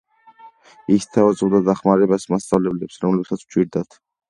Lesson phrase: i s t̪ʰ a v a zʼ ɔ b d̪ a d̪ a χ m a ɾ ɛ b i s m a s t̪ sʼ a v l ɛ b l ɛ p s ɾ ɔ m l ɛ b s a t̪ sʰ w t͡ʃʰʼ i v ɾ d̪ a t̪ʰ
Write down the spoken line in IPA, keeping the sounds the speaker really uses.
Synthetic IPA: i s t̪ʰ a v a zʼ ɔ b d̪ a d̪ a χ m a ɾ ɛ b a s m a s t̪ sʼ a v l ɛ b l ɛ p s ɾ ɔ m l ɛ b s a t̪ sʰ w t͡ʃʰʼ i ɾ d̪ a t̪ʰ